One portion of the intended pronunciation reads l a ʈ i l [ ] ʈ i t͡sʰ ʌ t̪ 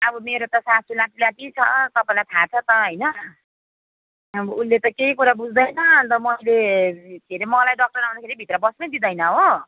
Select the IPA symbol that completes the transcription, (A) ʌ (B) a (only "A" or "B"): B